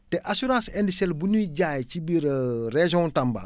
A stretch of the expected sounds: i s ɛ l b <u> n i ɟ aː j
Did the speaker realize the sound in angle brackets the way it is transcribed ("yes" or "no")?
yes